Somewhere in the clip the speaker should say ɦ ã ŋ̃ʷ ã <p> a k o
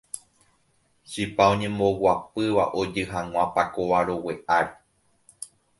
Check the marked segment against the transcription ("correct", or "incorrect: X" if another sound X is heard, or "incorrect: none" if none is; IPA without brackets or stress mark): correct